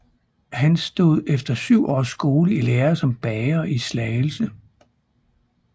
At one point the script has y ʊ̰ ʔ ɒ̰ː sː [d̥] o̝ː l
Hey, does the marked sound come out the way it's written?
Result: no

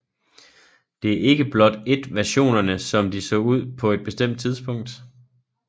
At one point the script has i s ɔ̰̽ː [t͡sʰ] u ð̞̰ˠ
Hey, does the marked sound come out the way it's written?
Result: no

